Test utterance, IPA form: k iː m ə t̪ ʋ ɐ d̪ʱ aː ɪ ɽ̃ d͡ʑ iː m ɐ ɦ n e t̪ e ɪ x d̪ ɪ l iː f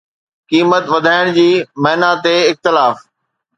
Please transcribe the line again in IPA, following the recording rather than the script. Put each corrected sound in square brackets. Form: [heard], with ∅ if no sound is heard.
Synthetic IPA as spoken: k iː m ə t̪ ʋ ɐ d̪ʱ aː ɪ ɽ̃ d͡ʑ iː m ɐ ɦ n [a] t̪ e ɪ x [t̪] ɪ l [aː] f